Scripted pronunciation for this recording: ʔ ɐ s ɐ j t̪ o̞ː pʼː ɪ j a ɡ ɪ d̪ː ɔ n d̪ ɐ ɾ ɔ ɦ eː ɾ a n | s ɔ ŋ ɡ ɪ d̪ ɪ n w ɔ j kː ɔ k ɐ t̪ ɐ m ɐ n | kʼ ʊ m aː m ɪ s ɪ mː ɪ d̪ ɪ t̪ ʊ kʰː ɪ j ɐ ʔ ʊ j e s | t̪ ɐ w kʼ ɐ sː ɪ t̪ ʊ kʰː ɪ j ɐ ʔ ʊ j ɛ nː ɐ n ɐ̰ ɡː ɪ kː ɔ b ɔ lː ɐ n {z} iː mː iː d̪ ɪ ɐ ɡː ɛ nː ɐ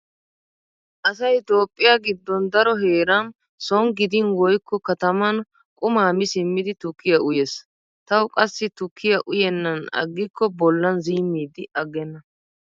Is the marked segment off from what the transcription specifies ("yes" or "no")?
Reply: no